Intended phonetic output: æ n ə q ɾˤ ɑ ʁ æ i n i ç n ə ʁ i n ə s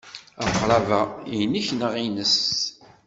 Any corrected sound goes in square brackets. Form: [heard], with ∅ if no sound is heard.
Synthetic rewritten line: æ [m] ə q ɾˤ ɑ [v] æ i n i ç n ə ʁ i n ə s